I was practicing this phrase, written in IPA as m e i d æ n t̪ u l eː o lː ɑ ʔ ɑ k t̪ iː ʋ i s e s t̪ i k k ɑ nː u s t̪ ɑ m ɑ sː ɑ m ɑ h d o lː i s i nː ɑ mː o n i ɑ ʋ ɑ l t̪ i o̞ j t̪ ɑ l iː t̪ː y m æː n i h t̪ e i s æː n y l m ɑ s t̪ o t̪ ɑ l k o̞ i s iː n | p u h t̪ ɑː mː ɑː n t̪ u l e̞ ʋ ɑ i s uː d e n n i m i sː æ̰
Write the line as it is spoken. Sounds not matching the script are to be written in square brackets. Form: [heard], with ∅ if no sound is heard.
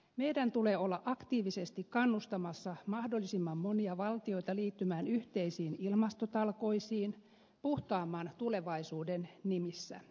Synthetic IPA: m e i d æ n t̪ u l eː o lː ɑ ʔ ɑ k t̪ iː ʋ i s e s t̪ i k k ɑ nː u s t̪ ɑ m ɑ sː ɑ m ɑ h d o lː i s i [mː] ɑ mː o n i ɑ ʋ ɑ l t̪ i o̞ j t̪ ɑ l iː t̪ː y m æː n [y] h t̪ e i s [iː] n [i] l m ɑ s t̪ o t̪ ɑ l k o̞ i s iː n | p u h t̪ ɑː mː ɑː n t̪ u l e̞ ʋ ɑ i s uː d e n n i m i sː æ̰